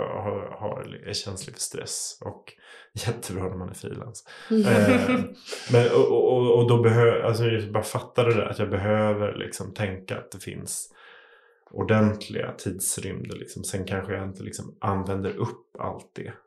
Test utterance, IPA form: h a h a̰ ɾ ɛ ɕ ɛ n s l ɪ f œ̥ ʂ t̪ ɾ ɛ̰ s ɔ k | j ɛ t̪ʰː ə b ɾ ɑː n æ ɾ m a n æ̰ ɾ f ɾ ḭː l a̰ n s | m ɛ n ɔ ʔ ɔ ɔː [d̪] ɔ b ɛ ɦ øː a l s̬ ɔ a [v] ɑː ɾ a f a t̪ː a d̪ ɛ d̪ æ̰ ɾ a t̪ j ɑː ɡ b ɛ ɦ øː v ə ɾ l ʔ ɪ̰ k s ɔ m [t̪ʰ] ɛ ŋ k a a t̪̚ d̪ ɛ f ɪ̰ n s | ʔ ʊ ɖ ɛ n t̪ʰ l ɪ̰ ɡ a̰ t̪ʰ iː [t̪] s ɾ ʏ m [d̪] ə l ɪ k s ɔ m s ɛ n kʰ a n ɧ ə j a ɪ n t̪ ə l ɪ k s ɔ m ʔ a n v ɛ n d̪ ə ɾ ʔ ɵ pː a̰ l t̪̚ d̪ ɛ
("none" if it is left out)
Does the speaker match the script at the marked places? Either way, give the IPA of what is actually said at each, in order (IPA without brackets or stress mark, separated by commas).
d̪, b, t̪ʰ, d̪, d̪